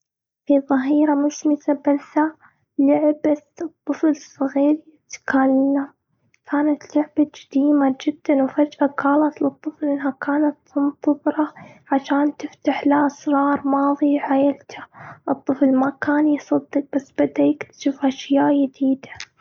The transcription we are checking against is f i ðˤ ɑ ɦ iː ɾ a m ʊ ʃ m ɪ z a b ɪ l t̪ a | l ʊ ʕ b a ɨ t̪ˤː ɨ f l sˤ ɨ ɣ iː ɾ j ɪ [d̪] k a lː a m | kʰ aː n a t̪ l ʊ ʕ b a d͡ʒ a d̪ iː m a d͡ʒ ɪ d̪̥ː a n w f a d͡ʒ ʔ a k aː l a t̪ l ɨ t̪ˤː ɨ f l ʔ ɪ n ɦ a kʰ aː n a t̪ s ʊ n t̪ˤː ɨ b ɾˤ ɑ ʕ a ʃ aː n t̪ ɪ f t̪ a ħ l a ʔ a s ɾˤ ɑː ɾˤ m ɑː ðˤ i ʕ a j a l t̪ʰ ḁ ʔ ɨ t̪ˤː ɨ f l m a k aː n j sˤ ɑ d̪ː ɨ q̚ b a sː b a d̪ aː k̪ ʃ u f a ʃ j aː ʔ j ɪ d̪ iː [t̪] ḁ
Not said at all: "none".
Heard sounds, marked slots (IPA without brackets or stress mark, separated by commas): t̪, d̪